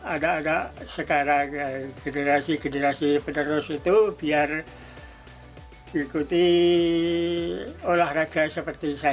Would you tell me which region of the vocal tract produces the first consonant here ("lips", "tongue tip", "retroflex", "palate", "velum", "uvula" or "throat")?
tongue tip